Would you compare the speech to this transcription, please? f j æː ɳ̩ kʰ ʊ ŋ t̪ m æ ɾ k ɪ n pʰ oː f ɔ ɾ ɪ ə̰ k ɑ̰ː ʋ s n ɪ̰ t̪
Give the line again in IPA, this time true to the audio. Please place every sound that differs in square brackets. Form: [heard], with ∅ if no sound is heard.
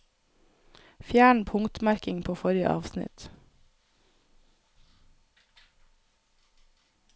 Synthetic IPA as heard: f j æː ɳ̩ [pʰ] ʊ ŋ t̪ m æ ɾ k ɪ [ŋ] pʰ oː f ɔ ɾ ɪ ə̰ [ʔ] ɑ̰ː ʋ s n ɪ̰ t̪